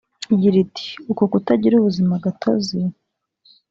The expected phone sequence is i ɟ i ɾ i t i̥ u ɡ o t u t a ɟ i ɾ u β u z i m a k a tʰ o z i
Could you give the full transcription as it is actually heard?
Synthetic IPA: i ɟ i ɾ i t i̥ u k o k u t a ɟ i ɾ u β u z i m a ɡ a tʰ o z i